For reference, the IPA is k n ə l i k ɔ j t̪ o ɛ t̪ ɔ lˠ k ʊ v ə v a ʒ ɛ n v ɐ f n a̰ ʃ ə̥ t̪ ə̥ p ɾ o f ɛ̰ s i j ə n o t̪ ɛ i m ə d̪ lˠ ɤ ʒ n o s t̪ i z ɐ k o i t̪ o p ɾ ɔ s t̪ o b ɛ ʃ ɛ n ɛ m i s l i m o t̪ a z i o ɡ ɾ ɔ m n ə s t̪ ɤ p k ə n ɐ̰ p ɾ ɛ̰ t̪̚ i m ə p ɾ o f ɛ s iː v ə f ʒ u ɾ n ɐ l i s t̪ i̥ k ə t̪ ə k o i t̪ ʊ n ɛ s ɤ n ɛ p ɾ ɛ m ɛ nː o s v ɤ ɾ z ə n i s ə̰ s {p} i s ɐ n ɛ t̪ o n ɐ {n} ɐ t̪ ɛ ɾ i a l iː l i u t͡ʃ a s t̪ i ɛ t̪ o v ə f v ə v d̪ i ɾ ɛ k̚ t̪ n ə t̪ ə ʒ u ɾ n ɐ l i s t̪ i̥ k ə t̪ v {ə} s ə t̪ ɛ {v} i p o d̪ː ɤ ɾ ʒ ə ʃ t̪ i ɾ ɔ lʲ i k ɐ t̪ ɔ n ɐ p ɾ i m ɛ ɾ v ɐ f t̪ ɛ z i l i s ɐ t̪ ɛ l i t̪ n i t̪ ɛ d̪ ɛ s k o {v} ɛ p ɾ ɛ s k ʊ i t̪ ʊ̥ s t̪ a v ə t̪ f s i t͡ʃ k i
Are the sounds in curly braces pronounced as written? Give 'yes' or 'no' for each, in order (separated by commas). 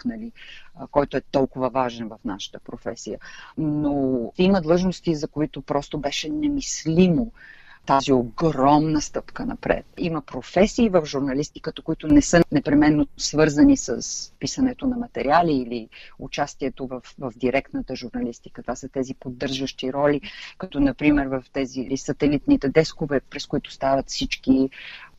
yes, no, no, no, yes